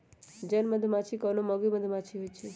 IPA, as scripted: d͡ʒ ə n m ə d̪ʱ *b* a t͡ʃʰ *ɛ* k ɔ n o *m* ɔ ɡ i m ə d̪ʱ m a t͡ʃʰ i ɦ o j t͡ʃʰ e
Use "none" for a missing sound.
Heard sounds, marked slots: m, i, m

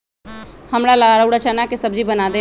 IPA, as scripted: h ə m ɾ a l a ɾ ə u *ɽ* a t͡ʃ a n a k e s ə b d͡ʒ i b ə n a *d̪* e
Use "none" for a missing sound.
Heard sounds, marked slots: ɽ, d̪

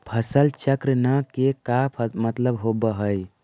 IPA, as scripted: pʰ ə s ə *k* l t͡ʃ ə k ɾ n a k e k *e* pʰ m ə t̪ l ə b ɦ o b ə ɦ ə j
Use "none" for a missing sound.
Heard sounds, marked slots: none, a

